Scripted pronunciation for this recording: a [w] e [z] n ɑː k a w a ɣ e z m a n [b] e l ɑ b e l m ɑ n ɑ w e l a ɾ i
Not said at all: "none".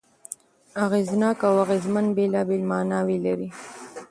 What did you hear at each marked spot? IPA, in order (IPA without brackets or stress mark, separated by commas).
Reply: ɣ, z, b